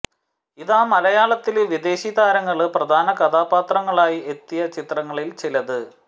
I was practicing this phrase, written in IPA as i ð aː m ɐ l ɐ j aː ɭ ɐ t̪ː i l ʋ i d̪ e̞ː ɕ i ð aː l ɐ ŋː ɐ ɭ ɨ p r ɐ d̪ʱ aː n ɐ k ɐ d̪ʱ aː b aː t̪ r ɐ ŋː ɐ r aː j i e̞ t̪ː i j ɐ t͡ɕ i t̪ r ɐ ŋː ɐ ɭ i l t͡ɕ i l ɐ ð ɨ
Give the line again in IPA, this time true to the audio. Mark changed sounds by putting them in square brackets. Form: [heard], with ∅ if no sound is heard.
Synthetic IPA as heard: i ð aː m ɐ l ɐ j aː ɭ ɐ t̪ː i l ʋ i d̪ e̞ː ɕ i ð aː [ɾ] ɐ ŋː ɐ ɭ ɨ p r ɐ d̪ʱ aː n ɐ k ɐ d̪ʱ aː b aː t̪ r ɐ ŋː ɐ [ɭ] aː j i e̞ t̪ː i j ɐ t͡ɕ i t̪ r ɐ ŋː ɐ ɭ i l t͡ɕ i l ɐ ð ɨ